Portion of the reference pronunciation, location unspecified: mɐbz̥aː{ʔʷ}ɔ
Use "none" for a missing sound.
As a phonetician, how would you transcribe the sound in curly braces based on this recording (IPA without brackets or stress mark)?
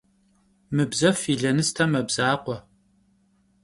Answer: qʷ